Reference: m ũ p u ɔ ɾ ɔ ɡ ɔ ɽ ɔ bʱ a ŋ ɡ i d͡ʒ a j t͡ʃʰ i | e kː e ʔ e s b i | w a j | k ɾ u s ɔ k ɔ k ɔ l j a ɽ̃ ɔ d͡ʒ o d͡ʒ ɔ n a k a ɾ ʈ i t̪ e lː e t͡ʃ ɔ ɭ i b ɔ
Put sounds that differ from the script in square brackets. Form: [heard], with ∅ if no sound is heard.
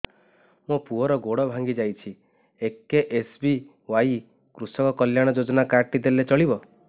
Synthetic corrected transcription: m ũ p u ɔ ɾ ɔ ɡ [o] ɽ ɔ bʱ a ŋ ɡ i d͡ʒ a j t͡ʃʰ i | e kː e ʔ e s b i | w a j | k ɾ u s ɔ k ɔ k ɔ l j a ɽ̃ ɔ d͡ʒ o d͡ʒ ɔ n a k a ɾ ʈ i [d̪] e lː e t͡ʃ ɔ ɭ i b ɔ